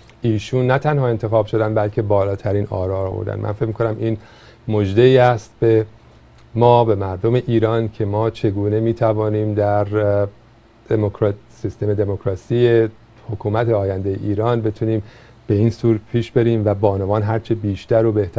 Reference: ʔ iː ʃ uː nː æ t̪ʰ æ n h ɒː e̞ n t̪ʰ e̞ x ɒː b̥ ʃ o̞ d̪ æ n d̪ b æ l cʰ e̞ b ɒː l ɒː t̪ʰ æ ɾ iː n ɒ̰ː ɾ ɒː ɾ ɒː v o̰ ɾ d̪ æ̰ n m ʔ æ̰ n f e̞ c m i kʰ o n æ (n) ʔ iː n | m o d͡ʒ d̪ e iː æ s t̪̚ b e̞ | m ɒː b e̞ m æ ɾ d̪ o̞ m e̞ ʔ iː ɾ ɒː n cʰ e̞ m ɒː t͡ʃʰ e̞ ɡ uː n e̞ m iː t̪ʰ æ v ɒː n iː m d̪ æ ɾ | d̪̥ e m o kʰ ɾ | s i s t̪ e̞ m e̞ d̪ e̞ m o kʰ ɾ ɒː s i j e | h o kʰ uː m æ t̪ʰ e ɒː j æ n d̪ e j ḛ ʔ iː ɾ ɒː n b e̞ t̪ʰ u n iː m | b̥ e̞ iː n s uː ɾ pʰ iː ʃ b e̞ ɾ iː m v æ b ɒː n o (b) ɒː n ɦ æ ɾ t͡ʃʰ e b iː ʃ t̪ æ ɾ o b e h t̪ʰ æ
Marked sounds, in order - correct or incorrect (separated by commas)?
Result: incorrect, incorrect